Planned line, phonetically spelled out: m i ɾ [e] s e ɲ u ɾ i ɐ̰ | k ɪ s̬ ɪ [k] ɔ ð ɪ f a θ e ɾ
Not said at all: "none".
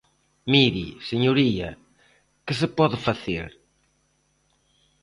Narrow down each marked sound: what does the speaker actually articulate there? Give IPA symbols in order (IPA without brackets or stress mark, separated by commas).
i, p